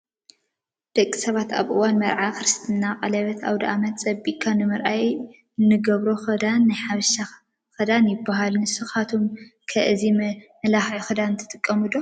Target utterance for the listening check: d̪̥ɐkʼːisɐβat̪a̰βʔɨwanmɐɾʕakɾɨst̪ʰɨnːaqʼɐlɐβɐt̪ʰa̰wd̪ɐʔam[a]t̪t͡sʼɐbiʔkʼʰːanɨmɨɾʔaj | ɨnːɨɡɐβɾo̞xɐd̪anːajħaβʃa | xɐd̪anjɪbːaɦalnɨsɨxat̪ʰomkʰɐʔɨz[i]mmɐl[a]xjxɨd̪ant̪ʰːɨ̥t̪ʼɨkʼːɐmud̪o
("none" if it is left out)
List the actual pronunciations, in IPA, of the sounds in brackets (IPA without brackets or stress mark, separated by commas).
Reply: ɐ, i, a